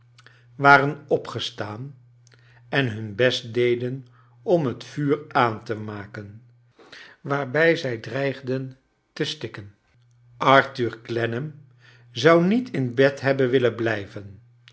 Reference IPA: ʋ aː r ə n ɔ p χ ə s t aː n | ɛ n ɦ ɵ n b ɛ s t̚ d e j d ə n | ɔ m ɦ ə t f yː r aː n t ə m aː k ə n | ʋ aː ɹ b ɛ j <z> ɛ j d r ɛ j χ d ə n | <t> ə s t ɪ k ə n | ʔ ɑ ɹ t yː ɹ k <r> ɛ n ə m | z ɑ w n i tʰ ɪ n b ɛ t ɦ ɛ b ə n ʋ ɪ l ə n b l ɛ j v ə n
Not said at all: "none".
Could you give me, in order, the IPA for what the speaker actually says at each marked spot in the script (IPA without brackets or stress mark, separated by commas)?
z, t, l